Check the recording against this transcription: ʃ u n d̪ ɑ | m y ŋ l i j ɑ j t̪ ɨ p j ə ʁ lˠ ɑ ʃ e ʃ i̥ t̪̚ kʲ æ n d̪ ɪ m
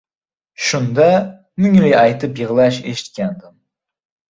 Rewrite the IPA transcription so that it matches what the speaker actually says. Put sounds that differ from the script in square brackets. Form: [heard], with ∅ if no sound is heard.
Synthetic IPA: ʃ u n d̪ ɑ | m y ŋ l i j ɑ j t̪ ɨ p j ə ʁ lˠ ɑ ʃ e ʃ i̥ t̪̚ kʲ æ n d̪ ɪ m